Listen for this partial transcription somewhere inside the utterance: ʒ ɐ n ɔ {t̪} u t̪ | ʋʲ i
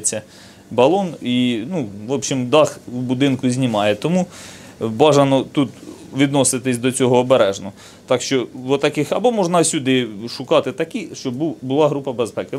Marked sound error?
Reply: no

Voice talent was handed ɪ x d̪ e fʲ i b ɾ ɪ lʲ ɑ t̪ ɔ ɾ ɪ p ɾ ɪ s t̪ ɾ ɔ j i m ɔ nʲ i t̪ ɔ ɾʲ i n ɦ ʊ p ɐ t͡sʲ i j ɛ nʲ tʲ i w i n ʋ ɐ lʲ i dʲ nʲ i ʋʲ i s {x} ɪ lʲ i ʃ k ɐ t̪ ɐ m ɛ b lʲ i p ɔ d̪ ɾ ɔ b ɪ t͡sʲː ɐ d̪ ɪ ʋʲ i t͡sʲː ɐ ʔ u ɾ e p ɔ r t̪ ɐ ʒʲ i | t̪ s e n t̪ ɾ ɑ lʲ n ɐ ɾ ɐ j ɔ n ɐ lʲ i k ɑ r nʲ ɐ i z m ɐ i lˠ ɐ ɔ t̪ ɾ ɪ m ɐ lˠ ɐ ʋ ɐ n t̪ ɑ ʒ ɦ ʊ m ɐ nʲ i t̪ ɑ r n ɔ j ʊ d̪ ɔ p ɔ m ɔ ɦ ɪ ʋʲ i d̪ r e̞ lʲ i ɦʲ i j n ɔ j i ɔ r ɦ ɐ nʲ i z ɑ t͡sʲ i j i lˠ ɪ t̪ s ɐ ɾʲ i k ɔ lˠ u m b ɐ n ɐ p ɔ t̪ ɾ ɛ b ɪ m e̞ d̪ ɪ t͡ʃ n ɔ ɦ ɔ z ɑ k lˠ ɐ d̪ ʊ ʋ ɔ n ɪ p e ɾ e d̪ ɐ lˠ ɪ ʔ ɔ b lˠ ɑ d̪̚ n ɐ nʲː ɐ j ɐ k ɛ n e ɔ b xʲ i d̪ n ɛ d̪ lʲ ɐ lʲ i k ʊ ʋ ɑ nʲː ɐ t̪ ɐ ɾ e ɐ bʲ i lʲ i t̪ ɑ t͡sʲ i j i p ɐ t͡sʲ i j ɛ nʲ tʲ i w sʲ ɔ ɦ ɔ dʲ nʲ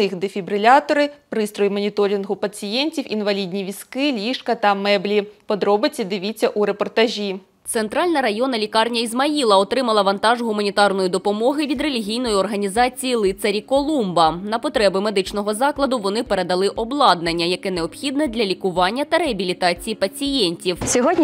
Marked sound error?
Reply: yes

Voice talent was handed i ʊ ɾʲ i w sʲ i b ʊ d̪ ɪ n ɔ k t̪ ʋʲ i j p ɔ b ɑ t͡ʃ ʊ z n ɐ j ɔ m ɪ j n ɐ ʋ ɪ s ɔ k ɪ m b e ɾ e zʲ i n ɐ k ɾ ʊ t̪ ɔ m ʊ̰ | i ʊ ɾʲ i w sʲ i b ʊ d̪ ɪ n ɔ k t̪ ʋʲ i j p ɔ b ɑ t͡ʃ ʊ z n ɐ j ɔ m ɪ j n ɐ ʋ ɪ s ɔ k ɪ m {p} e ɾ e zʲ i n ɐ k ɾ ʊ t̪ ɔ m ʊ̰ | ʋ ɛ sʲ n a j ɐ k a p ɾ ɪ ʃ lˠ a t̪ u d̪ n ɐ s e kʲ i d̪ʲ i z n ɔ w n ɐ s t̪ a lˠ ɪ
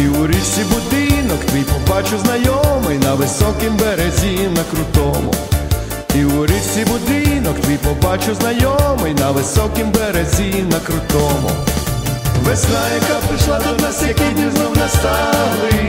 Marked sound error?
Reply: yes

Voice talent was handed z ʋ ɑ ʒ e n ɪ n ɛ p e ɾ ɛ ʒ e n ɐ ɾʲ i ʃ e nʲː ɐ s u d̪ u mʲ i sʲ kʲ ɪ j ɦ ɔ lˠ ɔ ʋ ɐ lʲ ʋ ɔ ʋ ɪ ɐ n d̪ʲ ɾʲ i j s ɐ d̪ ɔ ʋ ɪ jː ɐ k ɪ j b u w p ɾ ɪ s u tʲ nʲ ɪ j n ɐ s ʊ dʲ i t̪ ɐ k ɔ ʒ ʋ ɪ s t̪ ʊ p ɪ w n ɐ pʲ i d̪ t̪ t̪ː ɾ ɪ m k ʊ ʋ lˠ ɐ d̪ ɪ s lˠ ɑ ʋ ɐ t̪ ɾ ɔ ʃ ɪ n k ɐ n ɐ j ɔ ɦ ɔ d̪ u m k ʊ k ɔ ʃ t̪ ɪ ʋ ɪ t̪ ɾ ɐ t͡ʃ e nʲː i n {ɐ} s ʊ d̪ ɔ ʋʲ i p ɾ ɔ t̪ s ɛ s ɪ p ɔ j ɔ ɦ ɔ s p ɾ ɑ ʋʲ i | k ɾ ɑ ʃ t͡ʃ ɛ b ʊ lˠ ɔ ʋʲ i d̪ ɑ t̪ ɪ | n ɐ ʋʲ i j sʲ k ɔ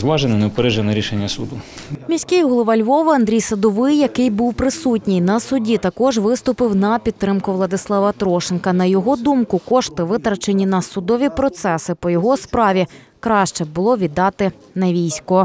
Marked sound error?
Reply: no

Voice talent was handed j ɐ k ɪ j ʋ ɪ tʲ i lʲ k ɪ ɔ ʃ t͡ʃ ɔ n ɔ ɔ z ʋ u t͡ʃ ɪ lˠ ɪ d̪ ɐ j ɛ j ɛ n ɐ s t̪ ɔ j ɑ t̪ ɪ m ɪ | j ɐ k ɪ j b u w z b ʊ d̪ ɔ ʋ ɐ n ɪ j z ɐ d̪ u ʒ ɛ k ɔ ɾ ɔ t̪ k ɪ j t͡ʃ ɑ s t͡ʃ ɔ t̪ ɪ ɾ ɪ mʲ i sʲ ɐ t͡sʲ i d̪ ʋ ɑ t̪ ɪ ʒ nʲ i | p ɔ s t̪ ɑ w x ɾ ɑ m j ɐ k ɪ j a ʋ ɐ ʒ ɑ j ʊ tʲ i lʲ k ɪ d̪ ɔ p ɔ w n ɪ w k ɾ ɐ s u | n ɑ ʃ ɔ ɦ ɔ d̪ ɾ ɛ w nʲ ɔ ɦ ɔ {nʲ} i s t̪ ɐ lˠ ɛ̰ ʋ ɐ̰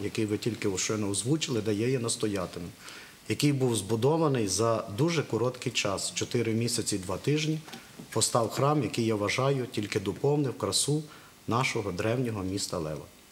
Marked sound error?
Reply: yes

